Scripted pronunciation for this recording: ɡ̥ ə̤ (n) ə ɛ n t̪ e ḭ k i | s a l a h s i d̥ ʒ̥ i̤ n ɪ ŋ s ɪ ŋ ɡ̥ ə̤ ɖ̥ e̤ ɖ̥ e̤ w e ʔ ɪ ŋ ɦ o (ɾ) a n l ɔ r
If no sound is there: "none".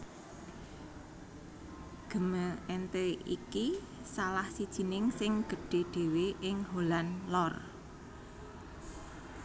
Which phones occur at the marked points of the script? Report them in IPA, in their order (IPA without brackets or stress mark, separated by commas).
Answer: m, l